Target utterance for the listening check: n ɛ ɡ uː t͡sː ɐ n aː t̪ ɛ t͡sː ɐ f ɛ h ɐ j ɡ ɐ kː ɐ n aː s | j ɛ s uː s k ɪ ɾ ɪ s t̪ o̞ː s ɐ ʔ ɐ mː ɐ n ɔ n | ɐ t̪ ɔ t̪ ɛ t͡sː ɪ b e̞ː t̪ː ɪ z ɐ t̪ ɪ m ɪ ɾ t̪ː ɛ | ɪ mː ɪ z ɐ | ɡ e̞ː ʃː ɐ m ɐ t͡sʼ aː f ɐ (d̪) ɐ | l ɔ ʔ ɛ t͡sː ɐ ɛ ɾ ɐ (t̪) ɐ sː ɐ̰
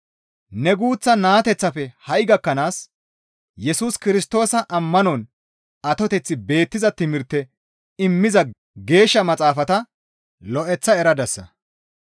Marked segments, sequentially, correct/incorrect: incorrect: t̪, incorrect: d̪

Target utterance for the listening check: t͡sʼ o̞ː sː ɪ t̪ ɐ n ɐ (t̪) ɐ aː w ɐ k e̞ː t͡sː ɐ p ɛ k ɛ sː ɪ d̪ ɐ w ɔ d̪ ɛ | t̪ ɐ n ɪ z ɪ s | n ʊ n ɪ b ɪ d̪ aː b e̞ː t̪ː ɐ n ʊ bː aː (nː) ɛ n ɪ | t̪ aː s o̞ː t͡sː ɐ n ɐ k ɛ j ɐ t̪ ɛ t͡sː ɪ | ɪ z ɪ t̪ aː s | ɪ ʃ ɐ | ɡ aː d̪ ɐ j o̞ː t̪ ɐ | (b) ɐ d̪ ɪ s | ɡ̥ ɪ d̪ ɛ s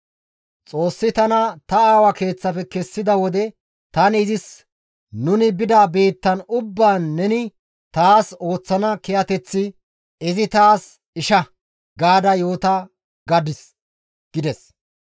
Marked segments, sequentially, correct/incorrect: correct, correct, incorrect: ɡ

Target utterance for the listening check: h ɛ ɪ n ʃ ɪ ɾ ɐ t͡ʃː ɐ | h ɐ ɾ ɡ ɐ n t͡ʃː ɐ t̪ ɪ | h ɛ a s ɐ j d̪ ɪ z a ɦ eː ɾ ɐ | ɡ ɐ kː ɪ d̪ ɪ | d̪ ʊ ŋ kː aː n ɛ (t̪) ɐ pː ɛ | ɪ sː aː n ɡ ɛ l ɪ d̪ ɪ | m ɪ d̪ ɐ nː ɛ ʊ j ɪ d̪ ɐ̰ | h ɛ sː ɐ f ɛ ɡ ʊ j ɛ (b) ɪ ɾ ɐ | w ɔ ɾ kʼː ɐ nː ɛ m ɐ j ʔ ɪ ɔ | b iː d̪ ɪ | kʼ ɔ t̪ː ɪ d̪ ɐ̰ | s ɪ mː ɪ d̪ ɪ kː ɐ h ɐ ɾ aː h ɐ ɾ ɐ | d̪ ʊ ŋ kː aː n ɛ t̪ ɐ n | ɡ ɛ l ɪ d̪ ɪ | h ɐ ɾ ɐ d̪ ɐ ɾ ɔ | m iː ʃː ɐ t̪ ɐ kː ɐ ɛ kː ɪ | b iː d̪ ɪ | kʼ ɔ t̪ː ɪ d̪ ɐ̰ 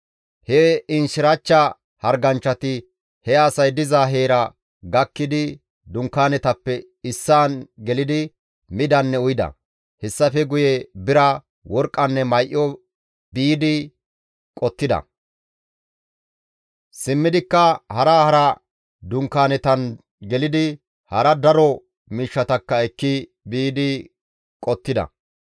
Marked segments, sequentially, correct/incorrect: correct, correct

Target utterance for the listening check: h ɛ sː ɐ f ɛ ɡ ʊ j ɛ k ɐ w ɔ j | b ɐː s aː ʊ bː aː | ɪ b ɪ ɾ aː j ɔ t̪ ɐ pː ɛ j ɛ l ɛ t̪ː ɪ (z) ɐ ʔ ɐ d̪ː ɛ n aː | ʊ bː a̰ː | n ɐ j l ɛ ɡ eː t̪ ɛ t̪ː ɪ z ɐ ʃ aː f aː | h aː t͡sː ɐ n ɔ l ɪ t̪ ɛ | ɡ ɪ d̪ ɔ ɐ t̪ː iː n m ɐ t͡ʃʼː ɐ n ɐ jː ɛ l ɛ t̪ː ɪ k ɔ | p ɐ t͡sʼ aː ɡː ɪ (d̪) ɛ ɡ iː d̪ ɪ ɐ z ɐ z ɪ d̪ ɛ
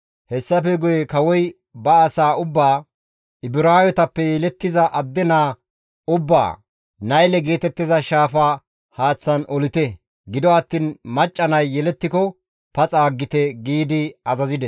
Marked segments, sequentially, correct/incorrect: correct, incorrect: t̪

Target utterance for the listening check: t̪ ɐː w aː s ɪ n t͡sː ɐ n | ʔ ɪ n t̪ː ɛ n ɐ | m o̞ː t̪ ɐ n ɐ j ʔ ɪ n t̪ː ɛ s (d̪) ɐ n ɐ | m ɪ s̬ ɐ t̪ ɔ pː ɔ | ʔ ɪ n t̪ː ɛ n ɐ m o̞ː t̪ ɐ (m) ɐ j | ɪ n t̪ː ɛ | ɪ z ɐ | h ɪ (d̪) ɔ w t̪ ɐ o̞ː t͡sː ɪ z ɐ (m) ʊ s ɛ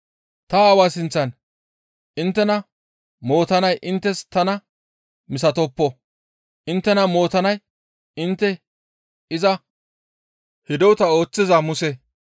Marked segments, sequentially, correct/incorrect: incorrect: t̪, incorrect: n, correct, correct

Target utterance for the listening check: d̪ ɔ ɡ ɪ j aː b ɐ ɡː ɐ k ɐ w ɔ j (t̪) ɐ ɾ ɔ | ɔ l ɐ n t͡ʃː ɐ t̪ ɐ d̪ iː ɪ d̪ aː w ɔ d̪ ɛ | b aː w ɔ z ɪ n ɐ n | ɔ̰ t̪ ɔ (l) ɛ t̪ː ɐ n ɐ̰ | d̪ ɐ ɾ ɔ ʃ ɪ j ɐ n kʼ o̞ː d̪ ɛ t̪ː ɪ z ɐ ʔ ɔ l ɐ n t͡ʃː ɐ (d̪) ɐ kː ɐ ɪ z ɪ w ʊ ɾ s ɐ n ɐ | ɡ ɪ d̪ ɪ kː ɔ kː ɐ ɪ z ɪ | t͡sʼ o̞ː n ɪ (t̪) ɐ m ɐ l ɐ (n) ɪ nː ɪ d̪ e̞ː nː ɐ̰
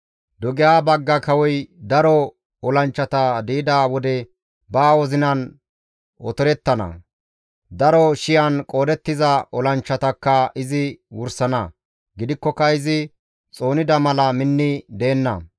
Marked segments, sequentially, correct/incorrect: incorrect: d̪, incorrect: ɾ, incorrect: t̪, incorrect: d̪, incorrect: m

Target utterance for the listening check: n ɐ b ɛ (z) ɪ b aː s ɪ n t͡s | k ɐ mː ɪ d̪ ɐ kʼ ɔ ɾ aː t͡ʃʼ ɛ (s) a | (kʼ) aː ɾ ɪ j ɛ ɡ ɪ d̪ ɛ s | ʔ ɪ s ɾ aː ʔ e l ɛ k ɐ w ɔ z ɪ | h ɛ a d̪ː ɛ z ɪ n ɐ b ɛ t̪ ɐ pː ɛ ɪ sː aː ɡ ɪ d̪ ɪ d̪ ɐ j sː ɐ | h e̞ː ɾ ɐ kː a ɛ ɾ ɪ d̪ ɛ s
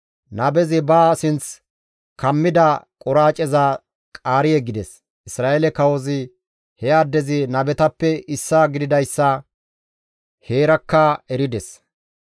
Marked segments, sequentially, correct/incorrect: correct, incorrect: z, correct

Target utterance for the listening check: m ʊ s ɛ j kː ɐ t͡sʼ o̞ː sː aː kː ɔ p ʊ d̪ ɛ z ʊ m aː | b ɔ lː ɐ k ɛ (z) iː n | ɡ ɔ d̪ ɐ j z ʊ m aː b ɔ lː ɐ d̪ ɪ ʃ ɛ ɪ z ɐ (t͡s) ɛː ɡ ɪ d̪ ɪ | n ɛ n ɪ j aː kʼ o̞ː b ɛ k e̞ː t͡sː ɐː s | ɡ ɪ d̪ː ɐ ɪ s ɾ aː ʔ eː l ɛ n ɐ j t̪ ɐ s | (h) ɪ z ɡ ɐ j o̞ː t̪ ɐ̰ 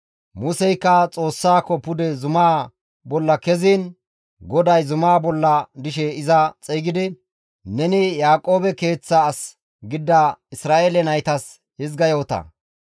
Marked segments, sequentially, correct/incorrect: correct, incorrect: t͡sʼ, correct

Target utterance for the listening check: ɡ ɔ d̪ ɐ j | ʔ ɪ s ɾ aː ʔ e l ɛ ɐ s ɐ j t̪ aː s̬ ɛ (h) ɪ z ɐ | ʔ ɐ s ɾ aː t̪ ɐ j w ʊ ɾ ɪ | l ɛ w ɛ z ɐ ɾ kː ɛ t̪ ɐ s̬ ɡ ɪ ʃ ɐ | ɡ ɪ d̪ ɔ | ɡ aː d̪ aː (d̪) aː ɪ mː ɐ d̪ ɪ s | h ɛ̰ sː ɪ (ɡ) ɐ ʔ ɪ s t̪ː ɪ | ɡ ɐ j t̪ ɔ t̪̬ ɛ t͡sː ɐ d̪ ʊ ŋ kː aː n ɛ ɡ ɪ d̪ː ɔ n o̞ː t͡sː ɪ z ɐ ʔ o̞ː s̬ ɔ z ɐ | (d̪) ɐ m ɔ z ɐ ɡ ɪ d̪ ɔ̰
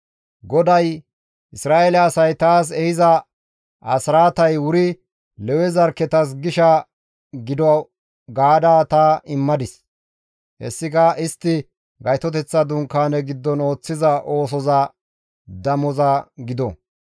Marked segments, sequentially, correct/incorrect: correct, incorrect: t̪, incorrect: k, correct

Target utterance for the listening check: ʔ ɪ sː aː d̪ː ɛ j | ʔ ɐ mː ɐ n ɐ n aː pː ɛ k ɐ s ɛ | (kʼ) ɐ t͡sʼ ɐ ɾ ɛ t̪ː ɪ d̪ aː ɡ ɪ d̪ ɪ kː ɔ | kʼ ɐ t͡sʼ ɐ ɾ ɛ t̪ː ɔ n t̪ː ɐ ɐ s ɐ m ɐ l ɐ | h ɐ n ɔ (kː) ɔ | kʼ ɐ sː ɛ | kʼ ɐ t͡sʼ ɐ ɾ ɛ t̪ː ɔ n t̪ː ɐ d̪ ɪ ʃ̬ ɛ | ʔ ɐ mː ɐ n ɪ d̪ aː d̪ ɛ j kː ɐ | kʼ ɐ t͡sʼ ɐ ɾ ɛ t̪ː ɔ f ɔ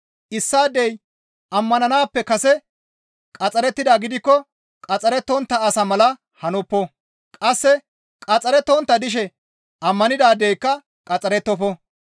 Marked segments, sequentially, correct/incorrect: correct, incorrect: pː

